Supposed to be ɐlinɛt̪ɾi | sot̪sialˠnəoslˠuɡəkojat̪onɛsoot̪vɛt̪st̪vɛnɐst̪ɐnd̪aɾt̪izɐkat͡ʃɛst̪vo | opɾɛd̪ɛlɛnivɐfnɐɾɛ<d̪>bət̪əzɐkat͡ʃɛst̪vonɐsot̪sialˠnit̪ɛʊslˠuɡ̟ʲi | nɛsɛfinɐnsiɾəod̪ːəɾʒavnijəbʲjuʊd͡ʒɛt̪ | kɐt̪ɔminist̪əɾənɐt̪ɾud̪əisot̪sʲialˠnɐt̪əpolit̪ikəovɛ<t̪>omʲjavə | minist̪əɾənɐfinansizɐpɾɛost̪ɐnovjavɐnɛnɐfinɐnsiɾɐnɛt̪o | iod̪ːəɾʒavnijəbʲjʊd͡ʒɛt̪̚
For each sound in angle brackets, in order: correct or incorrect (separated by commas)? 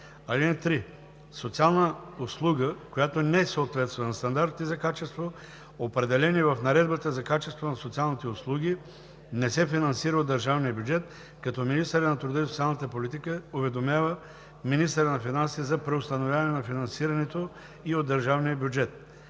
correct, incorrect